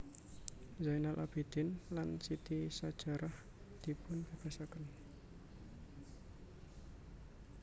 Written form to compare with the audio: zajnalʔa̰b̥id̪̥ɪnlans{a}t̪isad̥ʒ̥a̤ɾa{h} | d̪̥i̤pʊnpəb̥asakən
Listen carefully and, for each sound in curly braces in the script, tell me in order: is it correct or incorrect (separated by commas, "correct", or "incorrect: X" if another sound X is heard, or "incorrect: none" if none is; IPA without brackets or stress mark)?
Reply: incorrect: i, correct